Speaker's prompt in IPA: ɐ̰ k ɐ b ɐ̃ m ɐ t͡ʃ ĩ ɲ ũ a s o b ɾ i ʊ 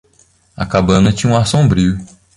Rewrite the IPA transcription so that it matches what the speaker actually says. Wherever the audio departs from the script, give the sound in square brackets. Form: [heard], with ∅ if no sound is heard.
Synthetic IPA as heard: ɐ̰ k [a] b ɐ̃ [n] ɐ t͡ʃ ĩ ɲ ũ a s [õ] b ɾ i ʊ

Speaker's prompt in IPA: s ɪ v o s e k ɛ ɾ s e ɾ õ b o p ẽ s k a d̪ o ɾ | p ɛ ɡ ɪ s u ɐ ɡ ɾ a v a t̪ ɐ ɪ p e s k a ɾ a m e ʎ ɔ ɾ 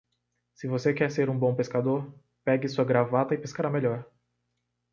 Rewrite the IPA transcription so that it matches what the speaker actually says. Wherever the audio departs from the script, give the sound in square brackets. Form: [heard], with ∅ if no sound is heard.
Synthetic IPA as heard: s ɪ v o s e k ɛ ɾ s e ɾ [ũ] b [õ] p [e] s k a d̪ o ɾ | p ɛ ɡ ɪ s u ɐ ɡ ɾ a v a t̪ ɐ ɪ p e s k a ɾ a m e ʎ ɔ ɾ

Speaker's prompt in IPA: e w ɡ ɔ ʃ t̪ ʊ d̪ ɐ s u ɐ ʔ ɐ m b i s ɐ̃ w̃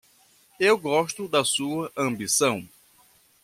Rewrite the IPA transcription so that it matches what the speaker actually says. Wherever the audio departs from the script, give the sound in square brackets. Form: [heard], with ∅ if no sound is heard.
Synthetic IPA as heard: e w ɡ ɔ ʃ t̪ ʊ d̪ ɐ s u ɐ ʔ [ɐ̃] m b i s ɐ̃ w̃

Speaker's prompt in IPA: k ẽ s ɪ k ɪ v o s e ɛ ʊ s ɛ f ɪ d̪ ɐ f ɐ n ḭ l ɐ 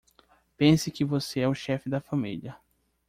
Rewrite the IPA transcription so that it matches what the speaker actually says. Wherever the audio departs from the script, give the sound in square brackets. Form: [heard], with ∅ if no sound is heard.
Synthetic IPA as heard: [p] ẽ s ɪ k ɪ v o s e ɛ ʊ [ʃ] ɛ f ɪ d̪ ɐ f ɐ [m] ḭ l ɐ

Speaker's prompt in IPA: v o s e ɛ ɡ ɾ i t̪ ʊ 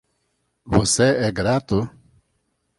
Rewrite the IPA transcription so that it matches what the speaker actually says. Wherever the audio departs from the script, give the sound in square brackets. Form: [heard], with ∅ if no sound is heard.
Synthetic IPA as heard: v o s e ɛ ɡ ɾ [a] t̪ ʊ

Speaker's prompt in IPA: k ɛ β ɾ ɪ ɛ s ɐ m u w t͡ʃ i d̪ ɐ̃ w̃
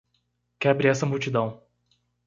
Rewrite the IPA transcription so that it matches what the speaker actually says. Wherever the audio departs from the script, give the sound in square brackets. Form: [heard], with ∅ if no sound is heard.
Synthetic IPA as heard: k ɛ [b] ɾ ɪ ɛ s ɐ m u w t͡ʃ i d̪ ɐ̃ w̃

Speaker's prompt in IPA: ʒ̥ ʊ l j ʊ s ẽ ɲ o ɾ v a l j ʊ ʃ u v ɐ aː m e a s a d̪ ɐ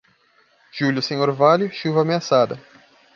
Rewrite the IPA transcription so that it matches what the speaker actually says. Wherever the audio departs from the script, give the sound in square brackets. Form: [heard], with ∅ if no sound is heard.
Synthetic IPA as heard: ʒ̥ [u] l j ʊ s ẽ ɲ o ɾ v a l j ʊ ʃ u v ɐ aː m e a s a d̪ ɐ

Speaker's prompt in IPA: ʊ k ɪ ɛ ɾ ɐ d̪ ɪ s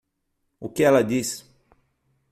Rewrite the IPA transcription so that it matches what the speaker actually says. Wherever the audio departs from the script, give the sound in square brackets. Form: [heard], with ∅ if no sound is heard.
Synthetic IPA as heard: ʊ k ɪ ɛ [l] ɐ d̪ [i] s

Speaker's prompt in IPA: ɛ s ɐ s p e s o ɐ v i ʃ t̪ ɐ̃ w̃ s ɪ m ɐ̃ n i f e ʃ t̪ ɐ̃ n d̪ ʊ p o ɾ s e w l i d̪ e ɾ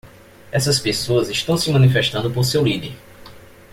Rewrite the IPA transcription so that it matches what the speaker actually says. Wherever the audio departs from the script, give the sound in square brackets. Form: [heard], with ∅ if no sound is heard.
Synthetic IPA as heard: ɛ s ɐ s p e s o ɐ [z] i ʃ t̪ ɐ̃ w̃ s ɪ m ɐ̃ n i f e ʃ t̪ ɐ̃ n d̪ ʊ p o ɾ s e w l i d̪ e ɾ

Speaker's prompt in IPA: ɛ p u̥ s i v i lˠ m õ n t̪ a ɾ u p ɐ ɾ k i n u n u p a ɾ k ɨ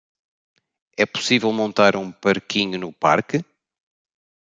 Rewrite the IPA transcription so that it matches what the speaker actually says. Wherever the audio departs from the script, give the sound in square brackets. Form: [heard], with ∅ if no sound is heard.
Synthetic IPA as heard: ɛ p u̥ s i v [ɛ] lˠ m õ n t̪ a ɾ [ũ] p ɐ ɾ k i [ɲ] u n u p a ɾ k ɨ

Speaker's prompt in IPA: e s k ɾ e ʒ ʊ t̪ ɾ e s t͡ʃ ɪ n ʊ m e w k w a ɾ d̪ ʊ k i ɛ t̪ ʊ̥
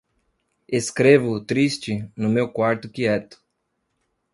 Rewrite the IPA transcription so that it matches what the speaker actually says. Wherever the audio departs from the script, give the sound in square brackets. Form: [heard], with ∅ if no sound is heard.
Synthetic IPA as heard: e s k ɾ e [v] ʊ t̪ ɾ [i] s t͡ʃ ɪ n ʊ m e w k w a ɾ [t̪] ʊ k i ɛ t̪ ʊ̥

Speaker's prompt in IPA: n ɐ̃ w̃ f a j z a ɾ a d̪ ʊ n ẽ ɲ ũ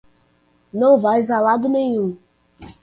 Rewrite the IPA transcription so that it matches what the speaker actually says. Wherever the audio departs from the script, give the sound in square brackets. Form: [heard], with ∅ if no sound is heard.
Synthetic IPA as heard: n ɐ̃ w̃ [v] a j z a [l] a d̪ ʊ n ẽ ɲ ũ

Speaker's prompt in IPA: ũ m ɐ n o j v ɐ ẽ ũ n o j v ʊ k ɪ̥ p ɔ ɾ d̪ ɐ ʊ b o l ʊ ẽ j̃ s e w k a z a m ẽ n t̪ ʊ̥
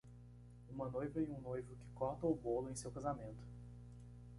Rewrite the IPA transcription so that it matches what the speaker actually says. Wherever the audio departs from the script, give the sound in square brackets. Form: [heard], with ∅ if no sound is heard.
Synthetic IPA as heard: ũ m ɐ n o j v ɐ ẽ ũ n o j v ʊ k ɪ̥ [k] ɔ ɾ [t̪] ɐ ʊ b o l ʊ ẽ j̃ s e w k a z a m ẽ n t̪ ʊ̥

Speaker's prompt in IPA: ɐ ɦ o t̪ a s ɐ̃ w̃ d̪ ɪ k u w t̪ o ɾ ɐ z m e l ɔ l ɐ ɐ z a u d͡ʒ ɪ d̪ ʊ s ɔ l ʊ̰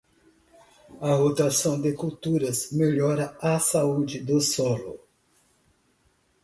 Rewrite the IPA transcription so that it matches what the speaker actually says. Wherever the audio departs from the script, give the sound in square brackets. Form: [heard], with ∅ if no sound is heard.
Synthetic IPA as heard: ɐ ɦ o t̪ a s ɐ̃ w̃ d̪ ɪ k u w t̪ [u] ɾ ɐ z m e [ʎ] ɔ [ɾ] ɐ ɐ [s] a u d͡ʒ ɪ d̪ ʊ s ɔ l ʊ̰

